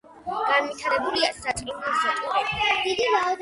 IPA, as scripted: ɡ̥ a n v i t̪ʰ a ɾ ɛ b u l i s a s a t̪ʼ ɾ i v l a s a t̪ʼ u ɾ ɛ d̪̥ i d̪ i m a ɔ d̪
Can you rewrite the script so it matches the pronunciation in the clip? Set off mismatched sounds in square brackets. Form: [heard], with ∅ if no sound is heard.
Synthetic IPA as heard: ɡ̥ a n v i t̪ʰ a ɾ ɛ b u l i [∅] a s a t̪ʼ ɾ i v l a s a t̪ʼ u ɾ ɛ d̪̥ i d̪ i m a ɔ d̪